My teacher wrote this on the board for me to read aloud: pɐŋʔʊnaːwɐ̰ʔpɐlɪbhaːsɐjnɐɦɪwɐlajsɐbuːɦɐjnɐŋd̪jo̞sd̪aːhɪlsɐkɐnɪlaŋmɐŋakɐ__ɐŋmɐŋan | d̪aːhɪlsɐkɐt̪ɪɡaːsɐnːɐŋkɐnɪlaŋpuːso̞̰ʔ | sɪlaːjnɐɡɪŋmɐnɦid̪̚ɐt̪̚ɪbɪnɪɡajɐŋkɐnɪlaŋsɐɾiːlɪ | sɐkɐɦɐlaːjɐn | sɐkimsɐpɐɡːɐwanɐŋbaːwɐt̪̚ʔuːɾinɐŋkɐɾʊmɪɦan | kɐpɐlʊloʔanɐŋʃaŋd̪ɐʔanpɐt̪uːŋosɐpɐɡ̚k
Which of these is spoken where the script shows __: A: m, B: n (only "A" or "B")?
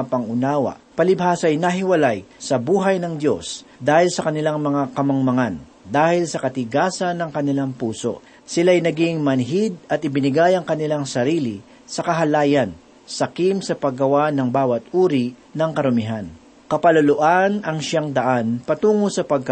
A